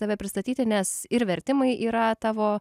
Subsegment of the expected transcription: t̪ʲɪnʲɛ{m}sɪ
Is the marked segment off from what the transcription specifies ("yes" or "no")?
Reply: yes